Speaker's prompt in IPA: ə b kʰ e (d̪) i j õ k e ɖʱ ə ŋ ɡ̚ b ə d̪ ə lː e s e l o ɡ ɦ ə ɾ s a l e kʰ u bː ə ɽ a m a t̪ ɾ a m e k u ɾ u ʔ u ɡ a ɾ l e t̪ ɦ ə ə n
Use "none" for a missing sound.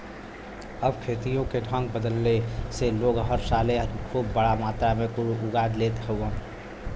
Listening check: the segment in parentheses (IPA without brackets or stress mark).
t̪